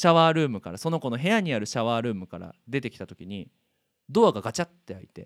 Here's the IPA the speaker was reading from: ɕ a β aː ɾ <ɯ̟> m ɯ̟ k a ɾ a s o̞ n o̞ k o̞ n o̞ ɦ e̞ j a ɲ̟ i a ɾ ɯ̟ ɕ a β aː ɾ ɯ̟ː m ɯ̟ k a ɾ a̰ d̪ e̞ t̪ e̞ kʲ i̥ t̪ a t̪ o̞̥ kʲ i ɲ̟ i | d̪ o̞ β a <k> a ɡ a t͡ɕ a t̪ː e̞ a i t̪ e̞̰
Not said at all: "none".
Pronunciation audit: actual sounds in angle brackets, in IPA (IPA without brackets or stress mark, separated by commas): ɯ̟ː, ɡ